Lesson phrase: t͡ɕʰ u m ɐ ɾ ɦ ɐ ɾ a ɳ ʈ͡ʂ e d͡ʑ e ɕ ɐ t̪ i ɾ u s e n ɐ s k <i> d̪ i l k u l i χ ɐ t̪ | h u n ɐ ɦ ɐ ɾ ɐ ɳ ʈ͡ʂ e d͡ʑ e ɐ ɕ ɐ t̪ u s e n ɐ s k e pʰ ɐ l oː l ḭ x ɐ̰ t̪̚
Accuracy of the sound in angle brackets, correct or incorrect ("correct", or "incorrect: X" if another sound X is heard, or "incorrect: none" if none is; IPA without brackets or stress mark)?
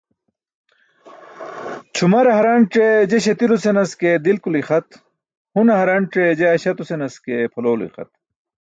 incorrect: e